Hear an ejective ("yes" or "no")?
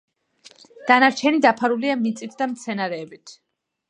yes